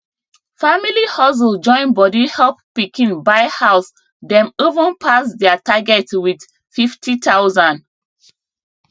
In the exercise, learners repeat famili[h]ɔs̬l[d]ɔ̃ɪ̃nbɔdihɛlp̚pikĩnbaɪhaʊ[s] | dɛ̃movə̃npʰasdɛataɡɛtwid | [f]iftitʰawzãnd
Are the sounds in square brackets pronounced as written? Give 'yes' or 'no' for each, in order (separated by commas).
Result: yes, no, yes, yes